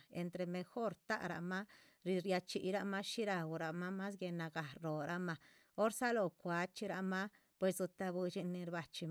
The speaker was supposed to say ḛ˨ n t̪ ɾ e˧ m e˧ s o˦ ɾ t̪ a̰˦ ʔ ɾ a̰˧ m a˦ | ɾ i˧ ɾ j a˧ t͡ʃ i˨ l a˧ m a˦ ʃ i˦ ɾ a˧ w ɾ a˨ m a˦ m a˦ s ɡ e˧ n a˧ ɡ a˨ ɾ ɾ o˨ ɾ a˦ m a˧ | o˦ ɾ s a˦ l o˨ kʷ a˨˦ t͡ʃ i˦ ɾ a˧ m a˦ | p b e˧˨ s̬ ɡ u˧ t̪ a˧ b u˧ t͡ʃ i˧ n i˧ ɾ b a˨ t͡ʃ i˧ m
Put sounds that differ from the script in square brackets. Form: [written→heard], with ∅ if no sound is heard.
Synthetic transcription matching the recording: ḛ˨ n t̪ ɾ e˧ m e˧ [s→x] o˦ ɾ t̪ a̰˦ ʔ ɾ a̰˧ m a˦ | ɾ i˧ ɾ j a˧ t͡ʃ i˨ [l→ɾ] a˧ m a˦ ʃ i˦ ɾ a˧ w ɾ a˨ m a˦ m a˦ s ɡ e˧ n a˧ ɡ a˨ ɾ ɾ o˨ ɾ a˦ m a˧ | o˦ ɾ s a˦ l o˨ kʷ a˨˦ t͡ʃ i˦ ɾ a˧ m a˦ | p [b→w] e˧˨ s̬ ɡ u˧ t̪ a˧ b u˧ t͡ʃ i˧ n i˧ ɾ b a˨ t͡ʃ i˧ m